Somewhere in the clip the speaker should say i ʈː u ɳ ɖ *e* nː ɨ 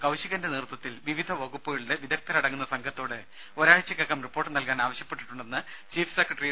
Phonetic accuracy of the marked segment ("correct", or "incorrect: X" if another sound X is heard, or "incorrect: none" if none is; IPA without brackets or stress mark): correct